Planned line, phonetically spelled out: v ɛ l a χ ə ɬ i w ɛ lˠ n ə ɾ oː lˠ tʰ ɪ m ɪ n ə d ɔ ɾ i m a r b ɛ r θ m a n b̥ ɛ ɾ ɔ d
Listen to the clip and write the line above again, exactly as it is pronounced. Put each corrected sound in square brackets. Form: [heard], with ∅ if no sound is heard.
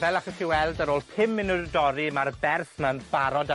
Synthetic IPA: v ɛ l a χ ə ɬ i w ɛ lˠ [d] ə ɾ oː lˠ [pʰ] ɪ m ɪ n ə d ɔ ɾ i m a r b ɛ r θ m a n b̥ [a] ɾ ɔ d